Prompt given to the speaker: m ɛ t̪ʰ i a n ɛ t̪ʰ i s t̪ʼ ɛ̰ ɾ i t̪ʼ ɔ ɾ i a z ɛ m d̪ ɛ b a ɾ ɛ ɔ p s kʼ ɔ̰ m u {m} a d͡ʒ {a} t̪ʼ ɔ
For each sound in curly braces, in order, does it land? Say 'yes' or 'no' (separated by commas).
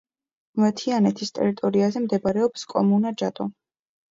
no, yes